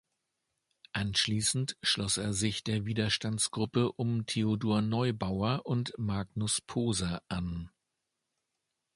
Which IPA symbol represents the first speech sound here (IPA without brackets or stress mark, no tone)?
ʔ